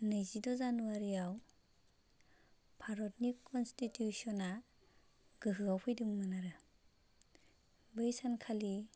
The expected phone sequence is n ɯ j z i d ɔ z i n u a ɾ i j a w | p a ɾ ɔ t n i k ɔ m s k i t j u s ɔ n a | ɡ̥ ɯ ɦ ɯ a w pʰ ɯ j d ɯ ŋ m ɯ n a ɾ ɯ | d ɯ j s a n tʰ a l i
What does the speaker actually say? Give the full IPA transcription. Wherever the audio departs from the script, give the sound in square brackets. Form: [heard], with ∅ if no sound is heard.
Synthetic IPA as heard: n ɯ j z i d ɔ z [a] n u a ɾ i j a w | [pʰ] a ɾ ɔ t n i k ɔ [n] s [t] i t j u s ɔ n a | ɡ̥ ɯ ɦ ɯ a w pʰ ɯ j d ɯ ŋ m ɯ n a ɾ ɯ | [b] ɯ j s a n [kʰ] a l i

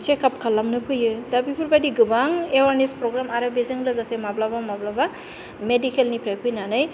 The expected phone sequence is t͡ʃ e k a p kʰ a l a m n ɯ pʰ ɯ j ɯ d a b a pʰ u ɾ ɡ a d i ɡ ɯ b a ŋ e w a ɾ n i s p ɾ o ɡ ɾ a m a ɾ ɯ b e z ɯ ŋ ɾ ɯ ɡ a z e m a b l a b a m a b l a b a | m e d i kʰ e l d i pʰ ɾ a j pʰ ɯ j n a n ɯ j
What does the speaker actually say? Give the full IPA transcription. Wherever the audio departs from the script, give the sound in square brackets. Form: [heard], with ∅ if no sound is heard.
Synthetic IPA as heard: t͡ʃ e k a p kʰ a l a m n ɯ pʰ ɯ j ɯ d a b [i] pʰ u ɾ [b] a d i ɡ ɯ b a ŋ e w a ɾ n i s p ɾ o ɡ ɾ a m a ɾ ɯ b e z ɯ ŋ [l] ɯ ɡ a [s] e m a b l a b a m a b l a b a | m e d i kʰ e l [n] i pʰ ɾ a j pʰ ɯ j n a n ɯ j

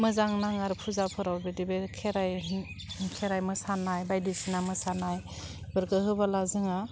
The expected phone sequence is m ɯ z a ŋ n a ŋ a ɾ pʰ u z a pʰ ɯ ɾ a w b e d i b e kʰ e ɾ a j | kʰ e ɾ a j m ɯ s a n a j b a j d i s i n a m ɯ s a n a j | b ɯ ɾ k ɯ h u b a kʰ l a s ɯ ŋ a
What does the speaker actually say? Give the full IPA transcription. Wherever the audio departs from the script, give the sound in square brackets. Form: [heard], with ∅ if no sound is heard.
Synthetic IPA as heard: m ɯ z a ŋ n a ŋ a ɾ pʰ u z a pʰ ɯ ɾ a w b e d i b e kʰ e ɾ a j | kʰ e ɾ a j m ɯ s a n a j b a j d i s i n a m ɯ s a n a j | b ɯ ɾ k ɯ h [ɯ] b a [∅] l a [z] ɯ ŋ a

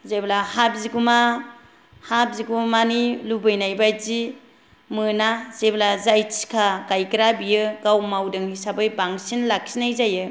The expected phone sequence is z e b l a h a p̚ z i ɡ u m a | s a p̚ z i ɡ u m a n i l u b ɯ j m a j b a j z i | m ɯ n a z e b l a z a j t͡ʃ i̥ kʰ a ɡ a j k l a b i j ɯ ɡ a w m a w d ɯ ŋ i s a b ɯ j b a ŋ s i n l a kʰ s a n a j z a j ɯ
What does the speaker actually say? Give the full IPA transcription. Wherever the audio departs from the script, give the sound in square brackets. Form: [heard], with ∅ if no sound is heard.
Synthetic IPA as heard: z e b l a h a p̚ z i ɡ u m a | [h] a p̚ z i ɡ u m a n i l u b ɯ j [n] a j b a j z i | m ɯ n a z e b l a z a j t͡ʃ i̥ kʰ a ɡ a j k [ɾ] a b i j ɯ ɡ a w m a w d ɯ ŋ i s a b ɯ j b a ŋ s i n l a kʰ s [i] n a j z a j ɯ

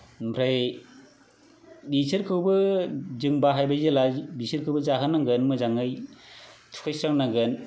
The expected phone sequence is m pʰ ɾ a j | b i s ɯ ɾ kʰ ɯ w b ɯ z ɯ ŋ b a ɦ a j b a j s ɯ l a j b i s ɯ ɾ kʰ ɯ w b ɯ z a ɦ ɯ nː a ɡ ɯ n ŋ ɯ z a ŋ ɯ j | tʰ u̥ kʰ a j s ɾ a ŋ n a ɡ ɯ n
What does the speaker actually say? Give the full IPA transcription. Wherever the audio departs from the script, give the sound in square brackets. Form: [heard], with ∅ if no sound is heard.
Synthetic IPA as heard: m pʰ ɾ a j | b i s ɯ ɾ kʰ ɯ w b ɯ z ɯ ŋ b a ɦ a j b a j [z] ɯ l a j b i s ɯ ɾ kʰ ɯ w b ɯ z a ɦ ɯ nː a ɡ ɯ n [m] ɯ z a ŋ ɯ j | tʰ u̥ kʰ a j s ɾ a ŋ n a ɡ ɯ n

